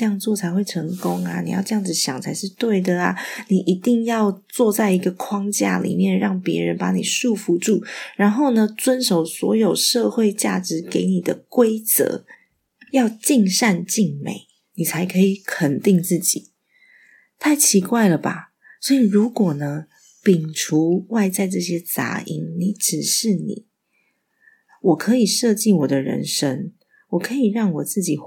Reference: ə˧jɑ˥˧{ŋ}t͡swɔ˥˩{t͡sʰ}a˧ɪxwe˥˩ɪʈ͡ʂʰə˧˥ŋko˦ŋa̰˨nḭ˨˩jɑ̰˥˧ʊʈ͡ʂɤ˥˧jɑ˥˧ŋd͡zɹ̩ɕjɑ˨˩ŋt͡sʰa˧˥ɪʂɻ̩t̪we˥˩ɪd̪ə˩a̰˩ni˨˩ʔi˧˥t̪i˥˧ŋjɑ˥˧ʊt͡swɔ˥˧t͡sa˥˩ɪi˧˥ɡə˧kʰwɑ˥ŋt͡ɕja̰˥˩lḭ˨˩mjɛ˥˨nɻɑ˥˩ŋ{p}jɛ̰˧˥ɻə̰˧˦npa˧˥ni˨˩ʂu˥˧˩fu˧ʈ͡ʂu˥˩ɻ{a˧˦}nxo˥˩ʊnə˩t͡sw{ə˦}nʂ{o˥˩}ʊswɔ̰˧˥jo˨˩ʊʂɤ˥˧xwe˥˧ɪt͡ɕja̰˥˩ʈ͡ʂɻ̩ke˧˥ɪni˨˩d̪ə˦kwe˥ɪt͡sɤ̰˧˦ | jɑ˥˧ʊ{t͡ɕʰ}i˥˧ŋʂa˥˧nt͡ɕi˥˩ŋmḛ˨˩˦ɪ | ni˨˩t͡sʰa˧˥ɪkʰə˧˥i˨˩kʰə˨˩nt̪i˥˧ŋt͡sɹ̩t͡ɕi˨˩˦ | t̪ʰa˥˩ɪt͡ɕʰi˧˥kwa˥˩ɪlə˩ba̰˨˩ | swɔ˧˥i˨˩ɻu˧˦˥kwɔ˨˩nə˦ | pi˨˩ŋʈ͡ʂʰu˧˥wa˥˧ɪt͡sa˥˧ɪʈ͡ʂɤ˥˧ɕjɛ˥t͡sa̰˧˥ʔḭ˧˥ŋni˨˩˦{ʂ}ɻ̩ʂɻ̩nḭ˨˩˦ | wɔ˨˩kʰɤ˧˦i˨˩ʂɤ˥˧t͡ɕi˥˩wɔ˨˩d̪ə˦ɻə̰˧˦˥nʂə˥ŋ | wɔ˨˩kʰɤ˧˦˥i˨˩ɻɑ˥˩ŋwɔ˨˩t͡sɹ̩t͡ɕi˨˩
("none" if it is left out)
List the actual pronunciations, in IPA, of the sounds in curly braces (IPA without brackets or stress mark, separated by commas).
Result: ŋ, t͡sʰ, p, a˧˦, ə˦, o˨˩, t͡ɕ, ʈ͡ʂ